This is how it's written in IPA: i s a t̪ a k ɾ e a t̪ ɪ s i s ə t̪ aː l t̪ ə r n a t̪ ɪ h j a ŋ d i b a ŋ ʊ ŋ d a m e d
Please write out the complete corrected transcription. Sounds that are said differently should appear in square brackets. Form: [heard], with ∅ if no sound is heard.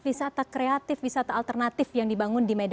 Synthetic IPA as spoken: i s a t̪ a k ɾ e a t̪ ɪ [f] i s [a] t̪ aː l t̪ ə r n a t̪ ɪ [f] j a ŋ d i b a ŋ ʊ [n] d [i] m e d